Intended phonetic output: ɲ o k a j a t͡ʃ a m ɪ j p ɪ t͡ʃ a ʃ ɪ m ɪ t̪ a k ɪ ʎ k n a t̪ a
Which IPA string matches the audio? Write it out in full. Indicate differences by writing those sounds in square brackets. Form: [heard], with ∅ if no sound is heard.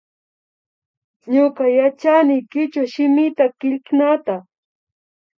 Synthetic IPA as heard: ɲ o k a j a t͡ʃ a [n] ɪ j [k] ɪ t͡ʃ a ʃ ɪ m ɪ t̪ a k ɪ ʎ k n a t̪ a